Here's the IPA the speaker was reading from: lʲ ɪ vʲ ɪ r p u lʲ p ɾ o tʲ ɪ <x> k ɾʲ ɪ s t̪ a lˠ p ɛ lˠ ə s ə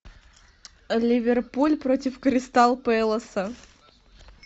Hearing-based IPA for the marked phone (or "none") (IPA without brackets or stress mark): f